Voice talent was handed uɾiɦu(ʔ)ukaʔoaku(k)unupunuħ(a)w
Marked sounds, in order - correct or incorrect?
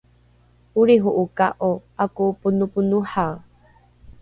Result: correct, incorrect: p, correct

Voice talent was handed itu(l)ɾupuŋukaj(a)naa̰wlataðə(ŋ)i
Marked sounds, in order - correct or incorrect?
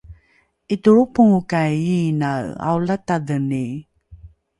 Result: incorrect: none, incorrect: i, incorrect: n

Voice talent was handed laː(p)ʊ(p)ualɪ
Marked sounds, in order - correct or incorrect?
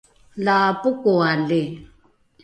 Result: correct, incorrect: k

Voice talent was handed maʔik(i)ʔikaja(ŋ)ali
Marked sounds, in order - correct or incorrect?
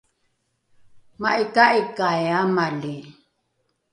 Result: incorrect: a, incorrect: m

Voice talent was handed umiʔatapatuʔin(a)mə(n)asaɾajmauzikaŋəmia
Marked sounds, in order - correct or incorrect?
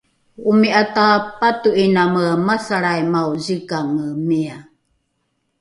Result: correct, incorrect: m

